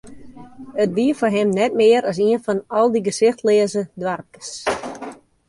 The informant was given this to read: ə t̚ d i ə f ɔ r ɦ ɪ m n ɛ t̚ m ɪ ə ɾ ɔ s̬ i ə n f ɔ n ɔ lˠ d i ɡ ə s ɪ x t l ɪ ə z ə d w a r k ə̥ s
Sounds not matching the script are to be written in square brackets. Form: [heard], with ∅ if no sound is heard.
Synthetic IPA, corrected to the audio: ə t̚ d i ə f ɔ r ɦ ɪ m n ɛ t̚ m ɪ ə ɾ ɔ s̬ i ə n f ɔ n ɔ lˠ d i ɡ ə s ɪ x t l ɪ ə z ə d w a r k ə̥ s